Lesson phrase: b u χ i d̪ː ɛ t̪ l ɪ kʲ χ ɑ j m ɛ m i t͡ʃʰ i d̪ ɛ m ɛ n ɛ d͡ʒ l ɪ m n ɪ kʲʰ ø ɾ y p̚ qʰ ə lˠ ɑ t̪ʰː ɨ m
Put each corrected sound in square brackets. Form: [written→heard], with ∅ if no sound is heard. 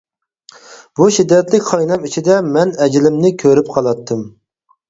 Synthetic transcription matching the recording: b u [χ→ʃ] i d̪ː ɛ t̪ l ɪ kʲ χ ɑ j [m→n] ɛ m i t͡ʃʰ i d̪ ɛ m ɛ n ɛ d͡ʒ l ɪ m n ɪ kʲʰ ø ɾ y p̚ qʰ [ə→ɑ] lˠ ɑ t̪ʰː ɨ m